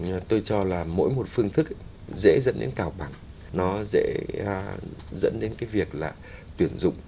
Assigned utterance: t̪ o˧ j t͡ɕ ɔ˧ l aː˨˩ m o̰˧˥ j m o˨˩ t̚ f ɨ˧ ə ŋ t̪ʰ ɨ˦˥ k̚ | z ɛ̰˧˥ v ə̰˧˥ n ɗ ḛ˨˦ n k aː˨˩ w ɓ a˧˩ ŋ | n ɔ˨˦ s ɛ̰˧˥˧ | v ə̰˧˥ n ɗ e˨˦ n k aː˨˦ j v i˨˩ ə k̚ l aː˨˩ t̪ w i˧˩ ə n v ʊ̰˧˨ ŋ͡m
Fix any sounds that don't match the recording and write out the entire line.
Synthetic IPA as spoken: t̪ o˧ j t͡ɕ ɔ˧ l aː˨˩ m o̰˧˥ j m o˨˩ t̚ f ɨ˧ ə ŋ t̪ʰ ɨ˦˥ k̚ | z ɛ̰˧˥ z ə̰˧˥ n ɗ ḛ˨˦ n k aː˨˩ w ɓ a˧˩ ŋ | n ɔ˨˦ z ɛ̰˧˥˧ | z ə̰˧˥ n ɗ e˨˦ n k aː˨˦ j v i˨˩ ə k̚ l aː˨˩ t̪ w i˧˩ ə n z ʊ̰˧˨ ŋ͡m